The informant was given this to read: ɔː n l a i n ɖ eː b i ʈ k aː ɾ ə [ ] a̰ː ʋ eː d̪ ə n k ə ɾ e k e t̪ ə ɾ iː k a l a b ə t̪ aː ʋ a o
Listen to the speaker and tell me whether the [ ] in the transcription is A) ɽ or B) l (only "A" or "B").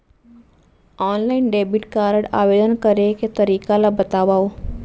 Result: A